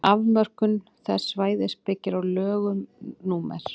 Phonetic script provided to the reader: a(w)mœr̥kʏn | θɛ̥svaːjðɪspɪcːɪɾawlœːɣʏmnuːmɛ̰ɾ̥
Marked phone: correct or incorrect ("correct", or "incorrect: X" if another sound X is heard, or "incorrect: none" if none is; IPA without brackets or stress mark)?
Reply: incorrect: v